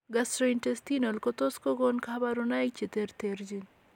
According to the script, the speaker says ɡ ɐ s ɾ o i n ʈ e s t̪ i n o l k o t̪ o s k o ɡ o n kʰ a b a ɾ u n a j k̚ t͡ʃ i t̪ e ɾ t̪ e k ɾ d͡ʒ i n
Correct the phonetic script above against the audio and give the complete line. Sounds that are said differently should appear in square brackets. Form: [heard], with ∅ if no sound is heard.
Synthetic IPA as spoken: ɡ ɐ s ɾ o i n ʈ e s t̪ i n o l k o t̪ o s k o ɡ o n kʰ a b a ɾ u n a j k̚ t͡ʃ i t̪ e ɾ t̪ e [∅] ɾ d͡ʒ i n

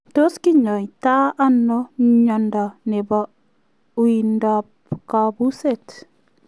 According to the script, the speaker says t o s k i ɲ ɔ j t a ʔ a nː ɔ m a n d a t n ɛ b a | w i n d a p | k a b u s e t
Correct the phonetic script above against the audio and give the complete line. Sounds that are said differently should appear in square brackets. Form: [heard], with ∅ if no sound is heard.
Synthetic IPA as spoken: t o s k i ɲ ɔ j t a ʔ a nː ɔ [ɲ] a n d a [∅] n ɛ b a | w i n d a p | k a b u s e t

